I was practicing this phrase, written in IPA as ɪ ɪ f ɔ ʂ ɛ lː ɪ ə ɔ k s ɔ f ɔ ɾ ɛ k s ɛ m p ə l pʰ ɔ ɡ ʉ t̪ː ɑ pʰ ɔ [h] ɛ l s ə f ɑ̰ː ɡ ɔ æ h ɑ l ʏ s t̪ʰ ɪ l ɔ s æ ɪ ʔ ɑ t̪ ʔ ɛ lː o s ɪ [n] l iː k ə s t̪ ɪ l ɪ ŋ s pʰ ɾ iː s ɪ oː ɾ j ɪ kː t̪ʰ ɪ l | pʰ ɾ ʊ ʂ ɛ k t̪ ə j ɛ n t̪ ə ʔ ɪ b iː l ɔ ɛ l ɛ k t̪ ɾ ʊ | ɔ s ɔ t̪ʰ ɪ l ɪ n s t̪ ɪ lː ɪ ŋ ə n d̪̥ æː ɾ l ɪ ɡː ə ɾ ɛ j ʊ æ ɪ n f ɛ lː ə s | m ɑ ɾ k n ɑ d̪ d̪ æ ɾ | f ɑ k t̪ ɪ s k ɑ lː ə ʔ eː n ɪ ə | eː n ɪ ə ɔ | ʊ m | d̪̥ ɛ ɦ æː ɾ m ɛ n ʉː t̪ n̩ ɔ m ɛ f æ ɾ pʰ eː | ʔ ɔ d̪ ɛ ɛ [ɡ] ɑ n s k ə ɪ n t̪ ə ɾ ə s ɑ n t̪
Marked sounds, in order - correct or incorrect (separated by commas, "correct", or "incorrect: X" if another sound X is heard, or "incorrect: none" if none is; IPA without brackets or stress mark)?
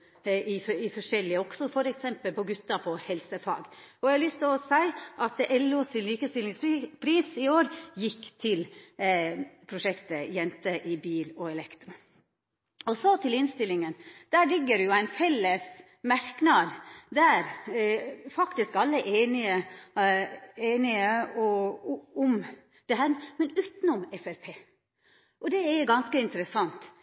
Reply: correct, correct, correct